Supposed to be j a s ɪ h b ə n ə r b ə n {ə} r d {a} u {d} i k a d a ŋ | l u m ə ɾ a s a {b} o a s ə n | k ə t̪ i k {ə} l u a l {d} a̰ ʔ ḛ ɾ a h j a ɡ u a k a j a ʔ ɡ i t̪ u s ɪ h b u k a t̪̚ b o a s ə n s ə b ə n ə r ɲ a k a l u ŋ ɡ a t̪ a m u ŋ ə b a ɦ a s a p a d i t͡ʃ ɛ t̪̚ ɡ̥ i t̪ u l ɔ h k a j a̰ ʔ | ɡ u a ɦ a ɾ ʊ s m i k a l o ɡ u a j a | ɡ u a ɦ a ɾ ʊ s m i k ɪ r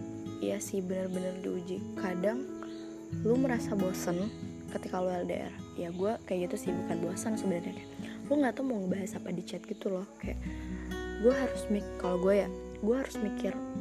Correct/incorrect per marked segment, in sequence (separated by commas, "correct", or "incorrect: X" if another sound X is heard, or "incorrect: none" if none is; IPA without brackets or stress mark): correct, incorrect: i, incorrect: d͡ʒ, correct, incorrect: a, correct